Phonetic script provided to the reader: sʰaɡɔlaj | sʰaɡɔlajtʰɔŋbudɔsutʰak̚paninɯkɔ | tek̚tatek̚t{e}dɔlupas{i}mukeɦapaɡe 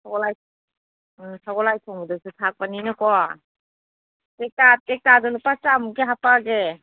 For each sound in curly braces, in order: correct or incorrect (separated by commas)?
incorrect, incorrect